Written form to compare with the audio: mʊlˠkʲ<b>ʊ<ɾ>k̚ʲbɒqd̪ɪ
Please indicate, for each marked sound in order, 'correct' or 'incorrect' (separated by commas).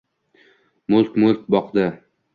incorrect, incorrect